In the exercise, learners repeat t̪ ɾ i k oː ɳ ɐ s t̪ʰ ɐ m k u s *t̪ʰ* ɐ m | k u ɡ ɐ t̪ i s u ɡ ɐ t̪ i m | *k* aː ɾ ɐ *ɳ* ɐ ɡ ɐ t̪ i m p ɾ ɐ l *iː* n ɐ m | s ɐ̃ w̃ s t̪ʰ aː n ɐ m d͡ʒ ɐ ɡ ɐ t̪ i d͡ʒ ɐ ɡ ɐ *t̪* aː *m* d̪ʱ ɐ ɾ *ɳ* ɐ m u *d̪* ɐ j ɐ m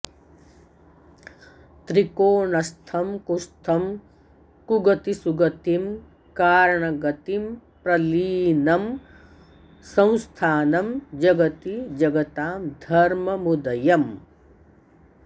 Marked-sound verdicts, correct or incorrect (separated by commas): correct, correct, correct, correct, correct, correct, incorrect, correct